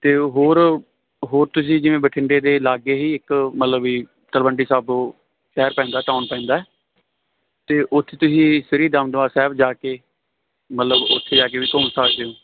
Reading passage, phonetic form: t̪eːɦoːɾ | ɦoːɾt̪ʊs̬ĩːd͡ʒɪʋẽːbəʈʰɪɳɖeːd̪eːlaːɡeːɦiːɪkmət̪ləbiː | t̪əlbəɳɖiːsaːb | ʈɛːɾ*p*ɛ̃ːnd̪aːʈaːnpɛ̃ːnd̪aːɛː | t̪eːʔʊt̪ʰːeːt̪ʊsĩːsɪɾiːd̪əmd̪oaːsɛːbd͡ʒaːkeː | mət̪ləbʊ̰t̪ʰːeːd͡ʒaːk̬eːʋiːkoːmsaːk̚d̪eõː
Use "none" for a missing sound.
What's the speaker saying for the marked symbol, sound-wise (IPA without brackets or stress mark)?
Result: p